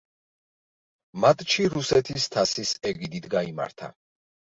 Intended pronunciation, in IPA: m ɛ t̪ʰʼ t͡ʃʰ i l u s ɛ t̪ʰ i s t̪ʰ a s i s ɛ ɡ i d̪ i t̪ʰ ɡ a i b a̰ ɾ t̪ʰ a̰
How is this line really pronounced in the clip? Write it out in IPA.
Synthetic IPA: m a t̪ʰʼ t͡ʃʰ i ɾ u s ɛ t̪ʰ i s t̪ʰ a s i s ɛ ɡ i d̪ i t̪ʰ ɡ a i m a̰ ɾ t̪ʰ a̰